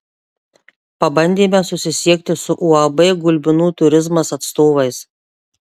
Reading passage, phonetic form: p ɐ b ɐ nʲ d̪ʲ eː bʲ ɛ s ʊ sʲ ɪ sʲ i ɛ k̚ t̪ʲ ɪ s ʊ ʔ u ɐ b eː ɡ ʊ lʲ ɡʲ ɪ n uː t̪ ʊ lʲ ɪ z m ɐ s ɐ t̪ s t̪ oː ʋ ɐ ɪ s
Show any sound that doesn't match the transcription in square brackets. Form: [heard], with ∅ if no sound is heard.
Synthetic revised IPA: p ɐ b ɐ nʲ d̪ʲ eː [mʲ] ɛ s ʊ sʲ ɪ sʲ i ɛ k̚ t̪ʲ ɪ s ʊ ʔ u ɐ b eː ɡ ʊ lʲ [bʲ] ɪ n uː t̪ ʊ [ɾʲ] ɪ z m ɐ s ɐ t̪ s t̪ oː ʋ ɐ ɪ s